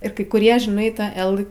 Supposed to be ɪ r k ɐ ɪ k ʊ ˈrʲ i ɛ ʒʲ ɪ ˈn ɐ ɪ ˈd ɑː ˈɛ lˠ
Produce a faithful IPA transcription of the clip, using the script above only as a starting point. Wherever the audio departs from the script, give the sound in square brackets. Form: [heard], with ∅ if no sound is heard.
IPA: ɪ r k ɐ ɪ k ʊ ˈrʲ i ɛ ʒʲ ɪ ˈn ɐ ɪ [ˈt] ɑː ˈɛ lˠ